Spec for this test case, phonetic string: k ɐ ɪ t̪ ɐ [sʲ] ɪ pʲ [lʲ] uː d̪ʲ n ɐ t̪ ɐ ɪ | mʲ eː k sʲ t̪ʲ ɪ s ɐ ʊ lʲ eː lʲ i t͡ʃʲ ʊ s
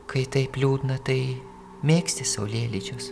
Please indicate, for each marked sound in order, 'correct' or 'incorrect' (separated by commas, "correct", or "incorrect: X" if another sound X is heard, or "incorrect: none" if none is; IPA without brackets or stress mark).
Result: incorrect: none, correct